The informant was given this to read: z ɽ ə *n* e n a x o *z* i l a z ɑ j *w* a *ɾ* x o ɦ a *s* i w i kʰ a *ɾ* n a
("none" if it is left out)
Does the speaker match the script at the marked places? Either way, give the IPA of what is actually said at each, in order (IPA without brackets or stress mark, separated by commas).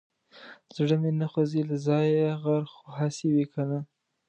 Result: m, z, ɣ, ɾ, s, none